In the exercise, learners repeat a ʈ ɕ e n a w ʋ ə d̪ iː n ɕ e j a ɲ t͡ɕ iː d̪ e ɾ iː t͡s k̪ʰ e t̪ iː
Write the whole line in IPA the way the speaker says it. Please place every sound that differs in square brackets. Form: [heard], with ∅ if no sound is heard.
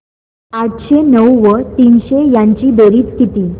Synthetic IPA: a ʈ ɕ e n [ə] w ʋ ə [t̪] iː n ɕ e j a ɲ t͡ɕ iː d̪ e ɾ iː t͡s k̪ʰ [i] t̪ iː